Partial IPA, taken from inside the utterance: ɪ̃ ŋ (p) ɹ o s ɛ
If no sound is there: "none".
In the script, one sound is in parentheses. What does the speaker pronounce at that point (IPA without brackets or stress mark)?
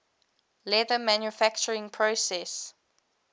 pʰ